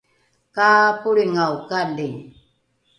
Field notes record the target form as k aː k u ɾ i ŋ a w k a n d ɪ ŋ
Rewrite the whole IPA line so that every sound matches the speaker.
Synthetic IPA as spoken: k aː p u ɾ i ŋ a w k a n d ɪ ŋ